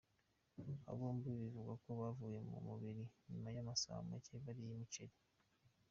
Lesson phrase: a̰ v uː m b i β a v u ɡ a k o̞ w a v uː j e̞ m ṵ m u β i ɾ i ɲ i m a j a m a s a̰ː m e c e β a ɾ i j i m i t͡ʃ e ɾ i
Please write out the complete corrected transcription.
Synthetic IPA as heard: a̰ β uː m b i β i v u ɡ a k o̞ β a v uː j e̞ m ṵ m u β i ɾ i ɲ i m a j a m a s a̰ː m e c e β a ɾ i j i m i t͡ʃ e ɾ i